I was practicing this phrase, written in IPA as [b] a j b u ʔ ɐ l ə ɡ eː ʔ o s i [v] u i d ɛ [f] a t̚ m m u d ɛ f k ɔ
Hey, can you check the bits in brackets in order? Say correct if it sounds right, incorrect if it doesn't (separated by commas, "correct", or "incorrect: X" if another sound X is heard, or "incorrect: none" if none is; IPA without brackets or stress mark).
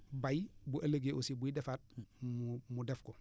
correct, incorrect: b, correct